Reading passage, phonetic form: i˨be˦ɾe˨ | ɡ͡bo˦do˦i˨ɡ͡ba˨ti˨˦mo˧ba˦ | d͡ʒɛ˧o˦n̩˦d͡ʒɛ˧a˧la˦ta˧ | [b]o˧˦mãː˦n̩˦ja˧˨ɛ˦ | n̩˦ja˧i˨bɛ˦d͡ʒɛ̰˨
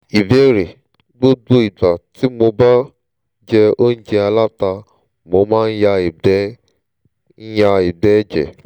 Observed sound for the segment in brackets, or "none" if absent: m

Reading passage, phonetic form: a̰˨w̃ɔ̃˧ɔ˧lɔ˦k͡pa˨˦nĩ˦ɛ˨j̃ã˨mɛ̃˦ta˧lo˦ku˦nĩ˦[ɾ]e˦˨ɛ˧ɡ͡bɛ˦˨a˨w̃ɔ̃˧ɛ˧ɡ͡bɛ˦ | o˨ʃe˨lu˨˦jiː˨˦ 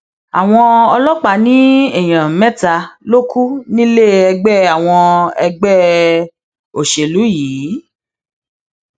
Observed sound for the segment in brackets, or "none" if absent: l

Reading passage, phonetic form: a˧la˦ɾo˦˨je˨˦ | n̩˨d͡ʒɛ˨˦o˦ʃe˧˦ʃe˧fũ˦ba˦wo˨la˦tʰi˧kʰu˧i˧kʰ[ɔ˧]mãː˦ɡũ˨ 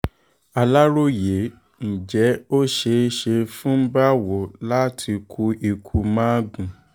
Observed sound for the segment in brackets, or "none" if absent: u˧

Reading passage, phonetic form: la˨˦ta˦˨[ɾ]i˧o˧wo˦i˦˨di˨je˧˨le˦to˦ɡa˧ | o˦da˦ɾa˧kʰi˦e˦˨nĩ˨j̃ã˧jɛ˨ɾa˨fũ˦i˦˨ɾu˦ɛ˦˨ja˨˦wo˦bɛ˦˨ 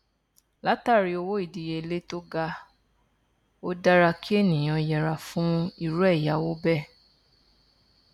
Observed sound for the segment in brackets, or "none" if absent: ɾ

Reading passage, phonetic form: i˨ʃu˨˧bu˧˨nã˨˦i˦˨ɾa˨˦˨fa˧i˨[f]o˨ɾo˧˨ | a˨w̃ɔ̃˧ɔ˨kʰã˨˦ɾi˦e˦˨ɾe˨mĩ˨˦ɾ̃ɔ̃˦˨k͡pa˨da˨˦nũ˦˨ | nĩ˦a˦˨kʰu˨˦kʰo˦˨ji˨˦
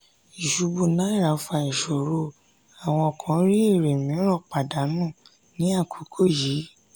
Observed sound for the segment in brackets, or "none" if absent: ʃ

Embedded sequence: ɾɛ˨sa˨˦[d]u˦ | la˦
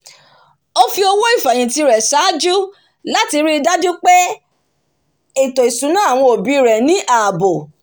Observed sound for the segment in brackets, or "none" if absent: d͡ʒ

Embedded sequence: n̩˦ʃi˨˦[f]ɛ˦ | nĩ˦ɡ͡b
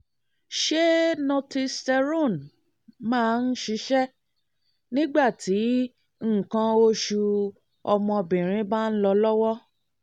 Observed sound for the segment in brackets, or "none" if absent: ʃ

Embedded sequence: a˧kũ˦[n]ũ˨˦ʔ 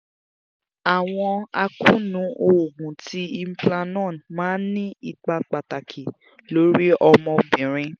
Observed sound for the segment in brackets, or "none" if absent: n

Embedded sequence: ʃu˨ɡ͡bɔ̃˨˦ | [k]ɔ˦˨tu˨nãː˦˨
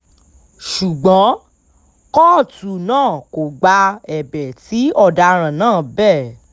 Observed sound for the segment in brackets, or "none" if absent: k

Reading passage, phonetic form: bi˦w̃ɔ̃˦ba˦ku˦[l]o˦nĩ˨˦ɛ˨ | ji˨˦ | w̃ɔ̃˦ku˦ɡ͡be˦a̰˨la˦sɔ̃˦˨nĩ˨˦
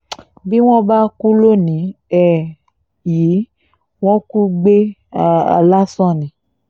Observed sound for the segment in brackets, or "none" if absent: l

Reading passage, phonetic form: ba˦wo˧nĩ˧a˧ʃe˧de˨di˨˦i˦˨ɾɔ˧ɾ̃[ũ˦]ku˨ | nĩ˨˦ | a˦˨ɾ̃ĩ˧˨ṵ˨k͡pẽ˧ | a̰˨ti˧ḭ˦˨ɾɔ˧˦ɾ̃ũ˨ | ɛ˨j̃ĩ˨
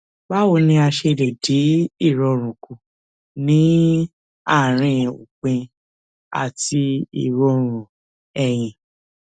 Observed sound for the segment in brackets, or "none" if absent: ũ˨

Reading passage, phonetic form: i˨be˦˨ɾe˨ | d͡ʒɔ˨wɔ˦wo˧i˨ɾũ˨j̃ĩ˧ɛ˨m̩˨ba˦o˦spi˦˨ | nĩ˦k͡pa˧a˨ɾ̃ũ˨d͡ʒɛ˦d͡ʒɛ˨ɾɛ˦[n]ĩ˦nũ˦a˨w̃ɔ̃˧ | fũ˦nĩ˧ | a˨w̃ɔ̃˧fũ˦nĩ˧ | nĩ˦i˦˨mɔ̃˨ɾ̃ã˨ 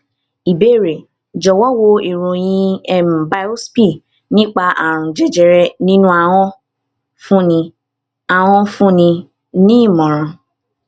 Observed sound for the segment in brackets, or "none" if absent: n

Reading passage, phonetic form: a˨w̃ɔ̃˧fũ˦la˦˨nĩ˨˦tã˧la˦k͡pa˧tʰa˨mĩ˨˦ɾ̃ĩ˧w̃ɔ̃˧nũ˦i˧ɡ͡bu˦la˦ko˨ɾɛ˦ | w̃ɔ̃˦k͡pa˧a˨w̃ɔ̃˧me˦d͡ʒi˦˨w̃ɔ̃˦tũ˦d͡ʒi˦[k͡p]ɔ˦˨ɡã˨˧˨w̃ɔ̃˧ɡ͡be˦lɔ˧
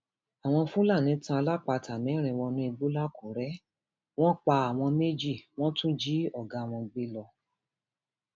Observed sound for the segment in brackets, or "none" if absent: none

